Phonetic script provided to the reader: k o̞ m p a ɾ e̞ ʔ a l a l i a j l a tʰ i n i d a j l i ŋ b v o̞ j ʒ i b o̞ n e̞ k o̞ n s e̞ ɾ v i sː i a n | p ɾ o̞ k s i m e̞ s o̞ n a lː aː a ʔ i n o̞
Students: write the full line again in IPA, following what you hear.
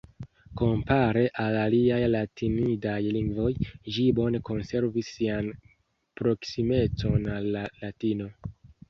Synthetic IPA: k o̞ m p a ɾ e̞ ʔ a l a l i a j l a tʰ i n i d a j l i ŋ ɡ v o̞ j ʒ i b o̞ n e̞ k o̞ n s e̞ ɾ v i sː i a n | p ɾ o̞ k s i m e̞ t͡s o̞ n a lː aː a t i n o̞